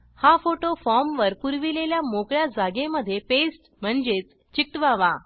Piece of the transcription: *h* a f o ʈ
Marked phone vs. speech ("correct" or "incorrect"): correct